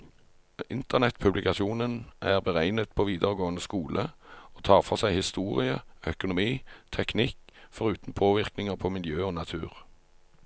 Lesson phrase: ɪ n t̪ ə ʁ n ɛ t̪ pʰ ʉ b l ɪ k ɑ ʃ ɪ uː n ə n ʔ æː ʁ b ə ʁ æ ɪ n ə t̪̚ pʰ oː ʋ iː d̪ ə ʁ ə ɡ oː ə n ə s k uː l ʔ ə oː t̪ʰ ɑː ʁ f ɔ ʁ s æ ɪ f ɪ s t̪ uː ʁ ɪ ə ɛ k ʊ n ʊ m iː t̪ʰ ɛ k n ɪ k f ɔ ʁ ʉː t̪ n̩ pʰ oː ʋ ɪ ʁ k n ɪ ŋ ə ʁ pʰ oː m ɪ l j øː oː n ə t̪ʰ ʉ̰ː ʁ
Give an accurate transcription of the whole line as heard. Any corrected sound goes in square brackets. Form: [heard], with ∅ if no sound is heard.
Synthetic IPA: ɪ n t̪ ə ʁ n ɛ t̪ pʰ ʉ b l ɪ k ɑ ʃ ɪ uː n ə n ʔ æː ʁ b ə ʁ æ ɪ n ə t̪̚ pʰ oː ʋ iː d̪ ə ʁ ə ɡ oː ə n ə s k uː l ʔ ə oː t̪ʰ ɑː ʁ f ɔ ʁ s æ ɪ [h] ɪ s t̪ uː ʁ ɪ ə [œ] k ʊ n ʊ m iː t̪ʰ ɛ k n ɪ k f ɔ ʁ ʉː t̪ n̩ pʰ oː ʋ ɪ ʁ k n ɪ ŋ ə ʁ pʰ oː m ɪ l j øː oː n [ɑ] t̪ʰ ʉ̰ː ʁ